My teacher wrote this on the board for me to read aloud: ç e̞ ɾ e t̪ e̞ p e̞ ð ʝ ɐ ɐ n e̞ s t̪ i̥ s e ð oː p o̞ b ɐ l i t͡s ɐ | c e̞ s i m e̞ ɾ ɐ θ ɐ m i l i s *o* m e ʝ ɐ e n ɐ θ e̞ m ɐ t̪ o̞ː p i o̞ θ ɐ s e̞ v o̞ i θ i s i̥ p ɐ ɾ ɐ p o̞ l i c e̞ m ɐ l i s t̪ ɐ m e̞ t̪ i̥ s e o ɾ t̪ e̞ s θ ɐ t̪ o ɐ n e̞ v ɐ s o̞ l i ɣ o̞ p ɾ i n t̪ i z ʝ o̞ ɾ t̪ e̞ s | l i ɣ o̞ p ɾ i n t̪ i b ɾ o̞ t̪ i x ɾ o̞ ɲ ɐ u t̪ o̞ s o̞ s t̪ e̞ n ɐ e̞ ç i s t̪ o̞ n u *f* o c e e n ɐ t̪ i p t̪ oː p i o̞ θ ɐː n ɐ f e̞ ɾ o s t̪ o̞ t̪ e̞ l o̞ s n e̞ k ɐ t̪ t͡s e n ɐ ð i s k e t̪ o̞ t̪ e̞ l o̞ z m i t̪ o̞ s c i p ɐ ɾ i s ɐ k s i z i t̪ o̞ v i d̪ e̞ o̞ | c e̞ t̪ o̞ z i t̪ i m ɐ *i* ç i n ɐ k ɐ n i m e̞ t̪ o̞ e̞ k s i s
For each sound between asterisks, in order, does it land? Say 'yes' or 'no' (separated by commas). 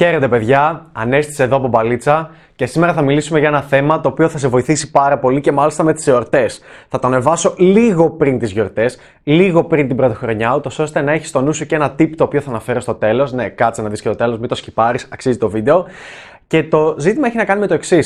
no, no, no